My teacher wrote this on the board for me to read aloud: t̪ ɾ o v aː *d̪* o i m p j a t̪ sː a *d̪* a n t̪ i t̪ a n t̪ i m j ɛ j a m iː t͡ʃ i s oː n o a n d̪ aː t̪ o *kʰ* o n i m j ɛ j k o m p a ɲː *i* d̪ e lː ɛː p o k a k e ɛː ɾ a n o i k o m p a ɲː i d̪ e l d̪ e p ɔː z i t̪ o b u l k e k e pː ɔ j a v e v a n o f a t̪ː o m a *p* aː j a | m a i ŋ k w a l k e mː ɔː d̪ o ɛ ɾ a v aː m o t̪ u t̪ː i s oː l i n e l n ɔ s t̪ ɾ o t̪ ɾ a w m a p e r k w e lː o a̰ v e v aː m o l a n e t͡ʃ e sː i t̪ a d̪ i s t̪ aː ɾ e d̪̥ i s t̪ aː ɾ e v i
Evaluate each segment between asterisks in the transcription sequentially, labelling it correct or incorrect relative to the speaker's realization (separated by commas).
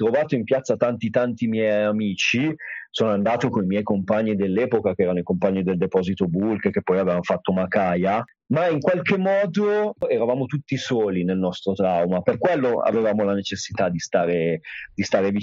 incorrect, incorrect, incorrect, correct, incorrect